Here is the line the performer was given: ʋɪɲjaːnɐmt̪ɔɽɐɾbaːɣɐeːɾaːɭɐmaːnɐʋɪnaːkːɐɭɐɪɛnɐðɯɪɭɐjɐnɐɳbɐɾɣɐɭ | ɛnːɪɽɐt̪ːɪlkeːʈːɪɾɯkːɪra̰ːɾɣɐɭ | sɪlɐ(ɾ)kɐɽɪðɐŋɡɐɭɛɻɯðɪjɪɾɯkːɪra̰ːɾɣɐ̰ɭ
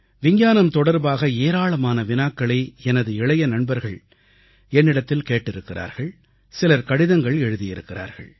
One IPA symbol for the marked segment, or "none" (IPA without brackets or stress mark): ɾ